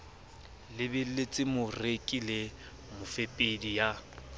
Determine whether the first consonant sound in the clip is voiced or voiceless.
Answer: voiced